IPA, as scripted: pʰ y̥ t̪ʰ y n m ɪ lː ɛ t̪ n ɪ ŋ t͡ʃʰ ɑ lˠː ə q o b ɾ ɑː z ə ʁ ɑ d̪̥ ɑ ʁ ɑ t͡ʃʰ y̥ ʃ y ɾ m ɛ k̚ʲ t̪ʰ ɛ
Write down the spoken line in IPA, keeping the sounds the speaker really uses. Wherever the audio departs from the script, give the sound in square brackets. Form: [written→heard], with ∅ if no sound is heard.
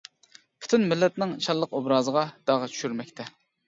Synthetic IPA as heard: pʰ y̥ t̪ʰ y n m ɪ lː ɛ t̪ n ɪ ŋ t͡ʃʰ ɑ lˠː ə q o b ɾ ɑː z ə ʁ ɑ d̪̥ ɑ ʁ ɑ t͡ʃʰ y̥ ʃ y ɾ m ɛ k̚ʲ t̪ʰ ɛ